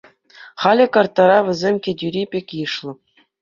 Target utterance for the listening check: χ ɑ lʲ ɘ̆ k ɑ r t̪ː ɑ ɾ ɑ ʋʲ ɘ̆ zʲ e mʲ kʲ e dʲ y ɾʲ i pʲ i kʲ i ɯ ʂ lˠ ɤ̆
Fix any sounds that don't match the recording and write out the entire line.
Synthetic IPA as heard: χ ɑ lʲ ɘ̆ k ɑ r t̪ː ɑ ɾ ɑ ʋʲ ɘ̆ zʲ e mʲ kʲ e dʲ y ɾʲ i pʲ e kʲ j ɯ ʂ lˠ ɤ̆